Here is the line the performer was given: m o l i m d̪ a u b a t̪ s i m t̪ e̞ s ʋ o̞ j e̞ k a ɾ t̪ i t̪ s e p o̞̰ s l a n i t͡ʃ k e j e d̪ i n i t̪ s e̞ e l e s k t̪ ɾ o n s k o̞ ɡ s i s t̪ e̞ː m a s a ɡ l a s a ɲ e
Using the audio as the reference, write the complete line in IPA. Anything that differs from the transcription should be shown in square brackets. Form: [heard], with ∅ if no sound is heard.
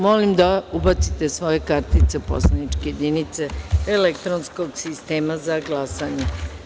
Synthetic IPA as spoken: m o l i m d̪ a u b a t̪ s i [∅] t̪ e̞ s ʋ o̞ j e̞ k a ɾ t̪ i t̪ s e p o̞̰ s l a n i t͡ʃ k e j e d̪ i n i t̪ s e̞ e l e [∅] k t̪ ɾ o n s k o̞ ɡ s i s t̪ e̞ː m a [z] a ɡ l a s a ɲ e